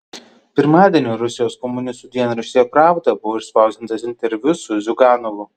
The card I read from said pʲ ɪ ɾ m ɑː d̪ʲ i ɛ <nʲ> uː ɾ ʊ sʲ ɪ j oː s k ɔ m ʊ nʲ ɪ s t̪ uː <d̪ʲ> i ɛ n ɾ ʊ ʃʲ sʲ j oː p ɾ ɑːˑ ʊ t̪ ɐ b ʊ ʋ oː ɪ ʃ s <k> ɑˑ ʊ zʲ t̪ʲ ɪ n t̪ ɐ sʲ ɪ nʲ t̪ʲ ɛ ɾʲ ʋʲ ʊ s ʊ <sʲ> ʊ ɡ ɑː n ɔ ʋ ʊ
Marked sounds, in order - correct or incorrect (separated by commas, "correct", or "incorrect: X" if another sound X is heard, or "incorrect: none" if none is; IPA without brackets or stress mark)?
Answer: correct, correct, incorrect: p, incorrect: zʲ